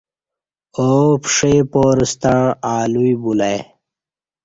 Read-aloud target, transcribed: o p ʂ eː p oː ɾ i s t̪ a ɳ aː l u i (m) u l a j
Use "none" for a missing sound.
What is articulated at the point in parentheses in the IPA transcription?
b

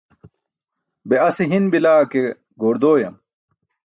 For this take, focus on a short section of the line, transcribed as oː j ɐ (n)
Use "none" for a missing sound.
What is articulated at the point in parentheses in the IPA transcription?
m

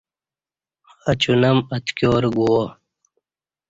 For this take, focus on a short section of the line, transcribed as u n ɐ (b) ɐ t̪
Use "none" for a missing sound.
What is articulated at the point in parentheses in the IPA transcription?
m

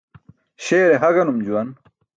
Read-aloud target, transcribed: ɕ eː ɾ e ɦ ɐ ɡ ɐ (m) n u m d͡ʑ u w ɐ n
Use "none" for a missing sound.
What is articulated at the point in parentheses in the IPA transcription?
none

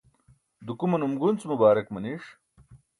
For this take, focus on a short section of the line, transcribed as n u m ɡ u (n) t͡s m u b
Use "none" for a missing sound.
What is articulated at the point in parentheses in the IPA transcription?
n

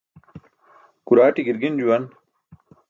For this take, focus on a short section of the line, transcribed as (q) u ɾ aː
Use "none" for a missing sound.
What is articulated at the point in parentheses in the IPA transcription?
k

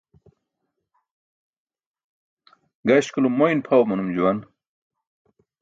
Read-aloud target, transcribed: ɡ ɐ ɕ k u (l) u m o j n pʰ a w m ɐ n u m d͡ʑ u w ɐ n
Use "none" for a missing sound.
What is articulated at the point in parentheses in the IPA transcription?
l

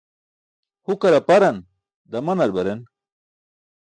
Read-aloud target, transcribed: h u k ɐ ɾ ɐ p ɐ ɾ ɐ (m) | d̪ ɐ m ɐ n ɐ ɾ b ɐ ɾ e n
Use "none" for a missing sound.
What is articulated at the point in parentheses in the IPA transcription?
n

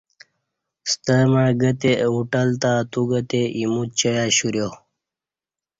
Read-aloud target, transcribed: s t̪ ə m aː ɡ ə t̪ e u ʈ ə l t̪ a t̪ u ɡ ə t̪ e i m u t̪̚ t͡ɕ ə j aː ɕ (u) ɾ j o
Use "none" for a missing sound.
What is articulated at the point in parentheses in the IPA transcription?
u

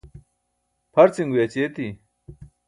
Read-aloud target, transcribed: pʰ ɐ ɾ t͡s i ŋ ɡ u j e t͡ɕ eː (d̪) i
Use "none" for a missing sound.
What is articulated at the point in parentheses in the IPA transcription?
t̪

